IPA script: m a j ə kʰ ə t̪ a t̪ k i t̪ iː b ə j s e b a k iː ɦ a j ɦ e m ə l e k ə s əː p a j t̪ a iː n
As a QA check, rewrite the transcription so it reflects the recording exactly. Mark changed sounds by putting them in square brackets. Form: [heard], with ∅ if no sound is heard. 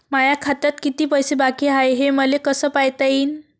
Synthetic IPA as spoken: m a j [a] kʰ [a] t̪ a t̪ k i t̪ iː [p] ə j s e b a k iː ɦ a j ɦ e m ə l e k ə s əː p a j t̪ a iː n